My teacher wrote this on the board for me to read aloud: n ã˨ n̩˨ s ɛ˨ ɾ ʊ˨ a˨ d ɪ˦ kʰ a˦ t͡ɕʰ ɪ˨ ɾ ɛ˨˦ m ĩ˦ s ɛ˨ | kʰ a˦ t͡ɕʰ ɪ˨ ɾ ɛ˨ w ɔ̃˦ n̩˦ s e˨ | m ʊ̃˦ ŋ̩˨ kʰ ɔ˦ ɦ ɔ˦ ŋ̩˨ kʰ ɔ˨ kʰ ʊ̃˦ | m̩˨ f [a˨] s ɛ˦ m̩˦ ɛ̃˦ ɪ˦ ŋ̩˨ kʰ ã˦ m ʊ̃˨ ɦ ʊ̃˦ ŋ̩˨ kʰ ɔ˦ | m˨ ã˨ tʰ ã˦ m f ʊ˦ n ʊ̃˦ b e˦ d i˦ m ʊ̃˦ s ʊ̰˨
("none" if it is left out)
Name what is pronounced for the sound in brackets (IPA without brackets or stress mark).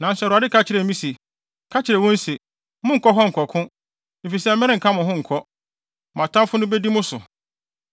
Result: i˨